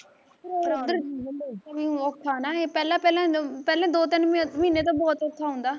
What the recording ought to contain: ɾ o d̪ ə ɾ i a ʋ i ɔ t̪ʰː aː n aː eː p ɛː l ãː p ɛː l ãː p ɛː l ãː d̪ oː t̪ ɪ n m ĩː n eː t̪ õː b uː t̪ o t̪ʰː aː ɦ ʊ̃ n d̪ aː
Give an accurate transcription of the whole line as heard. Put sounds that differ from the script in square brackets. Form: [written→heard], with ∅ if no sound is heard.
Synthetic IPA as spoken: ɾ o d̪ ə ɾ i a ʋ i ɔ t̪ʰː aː n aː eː p ɛː l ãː p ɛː l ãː p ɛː l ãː d̪ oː t̪ ɪ n m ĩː n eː t̪ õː b [uː→ɔː] t̪ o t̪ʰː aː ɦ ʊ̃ n d̪ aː